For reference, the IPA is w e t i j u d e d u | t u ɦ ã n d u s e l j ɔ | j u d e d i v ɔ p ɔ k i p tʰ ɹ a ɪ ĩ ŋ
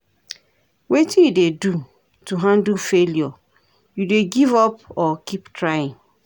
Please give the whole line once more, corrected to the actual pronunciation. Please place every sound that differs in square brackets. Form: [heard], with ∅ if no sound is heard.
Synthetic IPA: w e t i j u d e d u | t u ɦ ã n d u [f] e l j ɔ | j u d e [ɡ] i v ɔ p ɔ k i p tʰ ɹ a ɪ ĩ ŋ